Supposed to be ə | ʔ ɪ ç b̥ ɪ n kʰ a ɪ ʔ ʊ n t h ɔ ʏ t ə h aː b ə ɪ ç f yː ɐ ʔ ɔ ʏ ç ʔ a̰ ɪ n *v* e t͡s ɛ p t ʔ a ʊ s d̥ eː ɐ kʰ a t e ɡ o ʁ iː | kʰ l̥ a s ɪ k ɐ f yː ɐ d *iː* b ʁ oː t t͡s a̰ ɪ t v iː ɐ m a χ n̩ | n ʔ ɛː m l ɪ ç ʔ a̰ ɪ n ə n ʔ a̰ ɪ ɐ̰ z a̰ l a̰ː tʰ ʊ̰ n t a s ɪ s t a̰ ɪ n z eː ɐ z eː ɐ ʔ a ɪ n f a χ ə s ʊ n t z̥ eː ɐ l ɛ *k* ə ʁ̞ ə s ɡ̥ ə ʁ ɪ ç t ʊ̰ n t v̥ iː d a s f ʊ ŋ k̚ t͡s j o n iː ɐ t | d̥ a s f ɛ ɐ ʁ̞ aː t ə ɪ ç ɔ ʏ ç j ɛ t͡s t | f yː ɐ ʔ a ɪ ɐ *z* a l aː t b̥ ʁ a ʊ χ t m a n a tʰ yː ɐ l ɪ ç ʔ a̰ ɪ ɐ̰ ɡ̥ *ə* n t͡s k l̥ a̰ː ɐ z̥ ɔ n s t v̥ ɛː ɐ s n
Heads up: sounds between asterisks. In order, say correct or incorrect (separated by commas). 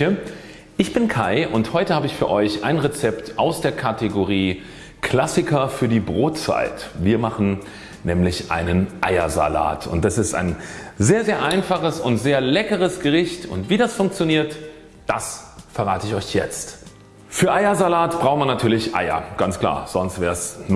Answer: incorrect, correct, correct, correct, incorrect